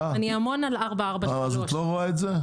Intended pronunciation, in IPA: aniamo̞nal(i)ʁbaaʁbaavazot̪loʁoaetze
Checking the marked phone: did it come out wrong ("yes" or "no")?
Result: yes